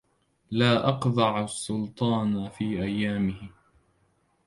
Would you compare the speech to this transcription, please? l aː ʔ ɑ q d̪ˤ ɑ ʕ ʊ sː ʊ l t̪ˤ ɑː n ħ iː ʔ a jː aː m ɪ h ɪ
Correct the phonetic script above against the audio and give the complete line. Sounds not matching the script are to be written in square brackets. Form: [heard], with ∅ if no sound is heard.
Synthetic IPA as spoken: l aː ʔ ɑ q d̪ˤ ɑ ʕ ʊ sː ʊ l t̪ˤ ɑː n [f] iː ʔ a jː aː m ɪ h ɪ